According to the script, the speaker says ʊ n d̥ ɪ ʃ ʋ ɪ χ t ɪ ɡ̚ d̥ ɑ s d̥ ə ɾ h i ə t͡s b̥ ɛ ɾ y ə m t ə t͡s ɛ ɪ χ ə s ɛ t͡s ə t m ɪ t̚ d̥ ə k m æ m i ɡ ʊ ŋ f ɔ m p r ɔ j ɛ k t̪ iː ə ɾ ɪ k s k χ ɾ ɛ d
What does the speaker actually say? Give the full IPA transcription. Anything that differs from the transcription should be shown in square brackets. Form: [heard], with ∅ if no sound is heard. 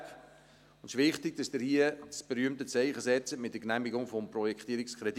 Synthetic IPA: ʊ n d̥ ɪ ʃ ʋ ɪ χ t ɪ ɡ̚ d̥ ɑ s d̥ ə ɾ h i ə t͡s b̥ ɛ ɾ y ə m t ə t͡s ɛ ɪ χ ə s ɛ t͡s ə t m ɪ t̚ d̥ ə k [n] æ m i ɡ ʊ ŋ f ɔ m p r ɔ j ɛ k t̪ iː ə ɾ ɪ k s k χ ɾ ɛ d